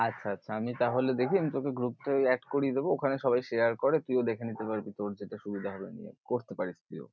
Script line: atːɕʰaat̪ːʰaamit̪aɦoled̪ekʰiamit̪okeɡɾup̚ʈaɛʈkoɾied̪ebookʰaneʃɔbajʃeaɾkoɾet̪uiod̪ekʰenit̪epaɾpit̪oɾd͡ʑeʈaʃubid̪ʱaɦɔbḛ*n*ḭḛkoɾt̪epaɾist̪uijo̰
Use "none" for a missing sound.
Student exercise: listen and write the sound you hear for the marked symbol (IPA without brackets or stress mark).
n